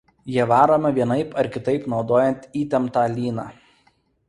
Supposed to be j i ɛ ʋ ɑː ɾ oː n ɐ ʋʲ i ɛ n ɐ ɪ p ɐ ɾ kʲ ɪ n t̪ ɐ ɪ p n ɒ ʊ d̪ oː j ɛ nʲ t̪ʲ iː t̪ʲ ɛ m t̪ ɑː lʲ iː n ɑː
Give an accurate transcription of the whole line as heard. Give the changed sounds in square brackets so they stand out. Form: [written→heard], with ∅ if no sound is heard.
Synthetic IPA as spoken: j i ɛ ʋ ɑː ɾ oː [n→m] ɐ ʋʲ i ɛ n ɐ ɪ p ɐ ɾ kʲ ɪ [n→∅] t̪ ɐ ɪ p n ɒ ʊ d̪ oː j ɛ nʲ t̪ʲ iː t̪ʲ ɛ m t̪ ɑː lʲ iː n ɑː